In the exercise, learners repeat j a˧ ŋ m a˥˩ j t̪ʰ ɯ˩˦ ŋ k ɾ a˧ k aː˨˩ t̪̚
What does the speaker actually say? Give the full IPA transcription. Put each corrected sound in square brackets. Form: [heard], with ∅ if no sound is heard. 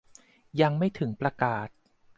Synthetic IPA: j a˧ ŋ m a˥˩ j t̪ʰ ɯ˩˦ ŋ [p] ɾ a˧ k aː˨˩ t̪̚